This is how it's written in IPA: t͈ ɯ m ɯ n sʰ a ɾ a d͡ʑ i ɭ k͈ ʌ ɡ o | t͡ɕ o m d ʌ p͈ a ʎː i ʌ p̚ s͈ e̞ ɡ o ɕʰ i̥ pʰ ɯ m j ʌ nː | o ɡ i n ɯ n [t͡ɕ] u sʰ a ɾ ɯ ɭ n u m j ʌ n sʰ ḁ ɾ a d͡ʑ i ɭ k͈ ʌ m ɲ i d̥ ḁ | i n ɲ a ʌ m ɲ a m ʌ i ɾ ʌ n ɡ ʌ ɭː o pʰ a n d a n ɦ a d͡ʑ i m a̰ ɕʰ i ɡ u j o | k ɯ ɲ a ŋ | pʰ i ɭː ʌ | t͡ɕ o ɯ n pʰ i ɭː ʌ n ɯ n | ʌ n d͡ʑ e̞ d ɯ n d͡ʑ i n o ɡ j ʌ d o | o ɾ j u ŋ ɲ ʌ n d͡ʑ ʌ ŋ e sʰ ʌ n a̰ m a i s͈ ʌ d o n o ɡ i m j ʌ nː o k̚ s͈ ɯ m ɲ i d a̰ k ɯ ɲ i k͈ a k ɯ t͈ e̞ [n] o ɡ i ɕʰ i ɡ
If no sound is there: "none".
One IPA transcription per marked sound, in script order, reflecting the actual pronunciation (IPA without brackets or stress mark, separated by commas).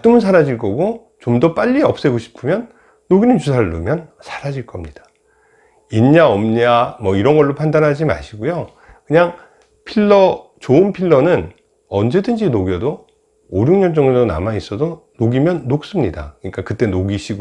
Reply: t͡ɕ, n